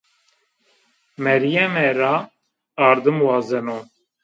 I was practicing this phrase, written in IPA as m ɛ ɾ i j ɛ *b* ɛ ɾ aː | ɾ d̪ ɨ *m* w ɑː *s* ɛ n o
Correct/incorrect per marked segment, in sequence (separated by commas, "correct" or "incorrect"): incorrect, correct, incorrect